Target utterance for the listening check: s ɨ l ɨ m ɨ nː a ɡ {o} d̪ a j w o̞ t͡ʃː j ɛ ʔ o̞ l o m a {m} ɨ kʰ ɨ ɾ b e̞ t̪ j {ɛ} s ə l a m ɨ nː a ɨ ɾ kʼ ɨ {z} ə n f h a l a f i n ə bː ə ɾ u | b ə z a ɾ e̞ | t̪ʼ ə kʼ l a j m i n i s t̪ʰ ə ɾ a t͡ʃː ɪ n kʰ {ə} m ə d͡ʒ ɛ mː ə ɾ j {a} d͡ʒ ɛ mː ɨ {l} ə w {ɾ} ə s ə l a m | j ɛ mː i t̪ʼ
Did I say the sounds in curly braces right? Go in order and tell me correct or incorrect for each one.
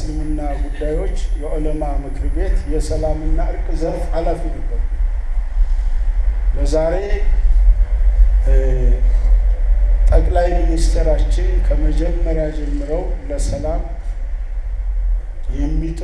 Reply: incorrect: u, correct, correct, correct, correct, correct, incorrect: ɾ, incorrect: l

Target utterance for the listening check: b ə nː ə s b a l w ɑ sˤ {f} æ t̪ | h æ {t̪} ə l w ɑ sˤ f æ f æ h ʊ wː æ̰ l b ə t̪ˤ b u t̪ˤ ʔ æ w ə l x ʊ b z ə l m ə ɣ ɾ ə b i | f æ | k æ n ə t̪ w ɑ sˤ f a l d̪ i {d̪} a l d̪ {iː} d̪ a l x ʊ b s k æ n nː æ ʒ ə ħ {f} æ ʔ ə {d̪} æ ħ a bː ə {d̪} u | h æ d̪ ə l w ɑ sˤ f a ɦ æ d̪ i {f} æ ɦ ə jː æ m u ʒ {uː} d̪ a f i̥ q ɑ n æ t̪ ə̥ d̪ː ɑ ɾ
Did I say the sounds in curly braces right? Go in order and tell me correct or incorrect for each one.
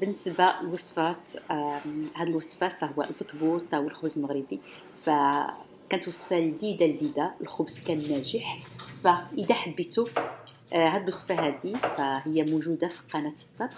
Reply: correct, incorrect: d̪, correct, incorrect: i, correct, correct, incorrect: t̪, correct, incorrect: u

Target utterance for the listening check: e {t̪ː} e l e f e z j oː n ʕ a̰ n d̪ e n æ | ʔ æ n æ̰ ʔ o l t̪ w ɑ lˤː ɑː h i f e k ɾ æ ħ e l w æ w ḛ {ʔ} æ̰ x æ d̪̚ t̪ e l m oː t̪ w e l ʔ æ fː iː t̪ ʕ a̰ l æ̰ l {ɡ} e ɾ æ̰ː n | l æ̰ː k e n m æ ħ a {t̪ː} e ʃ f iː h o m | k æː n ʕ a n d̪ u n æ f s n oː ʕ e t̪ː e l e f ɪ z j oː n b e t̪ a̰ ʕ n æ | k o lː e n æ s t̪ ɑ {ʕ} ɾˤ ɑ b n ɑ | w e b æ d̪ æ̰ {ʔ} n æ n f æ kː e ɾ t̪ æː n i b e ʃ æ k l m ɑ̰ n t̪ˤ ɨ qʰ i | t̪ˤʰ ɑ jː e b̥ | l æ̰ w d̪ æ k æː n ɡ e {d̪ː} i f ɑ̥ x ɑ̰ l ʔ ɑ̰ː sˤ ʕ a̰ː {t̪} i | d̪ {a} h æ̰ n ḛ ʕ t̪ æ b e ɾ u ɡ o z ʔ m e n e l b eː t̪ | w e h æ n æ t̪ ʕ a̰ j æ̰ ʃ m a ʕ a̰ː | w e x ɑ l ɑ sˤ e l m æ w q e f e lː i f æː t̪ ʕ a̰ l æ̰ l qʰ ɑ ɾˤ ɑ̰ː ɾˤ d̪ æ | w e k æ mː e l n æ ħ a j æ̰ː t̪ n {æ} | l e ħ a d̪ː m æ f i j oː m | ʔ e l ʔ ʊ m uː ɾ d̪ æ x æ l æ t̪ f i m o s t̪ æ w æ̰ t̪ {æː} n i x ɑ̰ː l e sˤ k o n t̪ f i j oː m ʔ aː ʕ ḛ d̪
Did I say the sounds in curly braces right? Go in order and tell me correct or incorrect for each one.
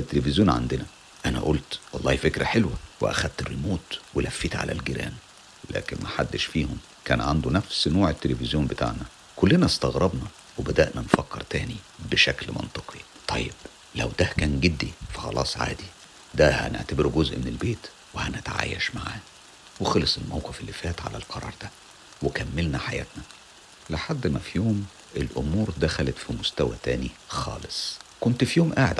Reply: correct, correct, correct, incorrect: d̪ː, incorrect: ɣ, correct, correct, incorrect: d̪, incorrect: æ, correct, correct

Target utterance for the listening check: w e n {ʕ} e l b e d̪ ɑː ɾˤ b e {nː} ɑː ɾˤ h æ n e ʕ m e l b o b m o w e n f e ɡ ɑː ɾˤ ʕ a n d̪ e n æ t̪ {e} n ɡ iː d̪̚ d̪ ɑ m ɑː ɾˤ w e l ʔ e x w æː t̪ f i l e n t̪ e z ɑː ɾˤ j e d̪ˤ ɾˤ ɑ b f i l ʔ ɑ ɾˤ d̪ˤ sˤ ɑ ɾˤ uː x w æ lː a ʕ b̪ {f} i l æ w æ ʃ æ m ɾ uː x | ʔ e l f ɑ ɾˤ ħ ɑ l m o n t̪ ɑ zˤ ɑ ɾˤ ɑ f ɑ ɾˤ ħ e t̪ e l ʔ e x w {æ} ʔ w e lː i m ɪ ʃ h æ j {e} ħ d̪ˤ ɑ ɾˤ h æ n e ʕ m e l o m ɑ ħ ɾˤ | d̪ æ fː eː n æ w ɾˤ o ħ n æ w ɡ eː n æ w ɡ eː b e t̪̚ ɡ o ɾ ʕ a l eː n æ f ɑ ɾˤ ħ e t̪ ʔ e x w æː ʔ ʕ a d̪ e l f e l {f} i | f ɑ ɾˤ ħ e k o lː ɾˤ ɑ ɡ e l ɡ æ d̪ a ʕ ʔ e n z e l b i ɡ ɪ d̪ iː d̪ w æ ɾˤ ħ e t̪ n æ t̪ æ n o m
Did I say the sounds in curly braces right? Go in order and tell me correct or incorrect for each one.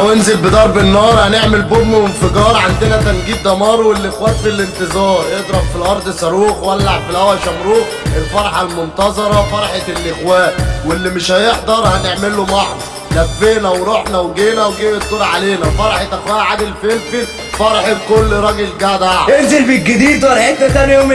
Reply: incorrect: z, correct, incorrect: æ, correct, incorrect: æː, correct, correct

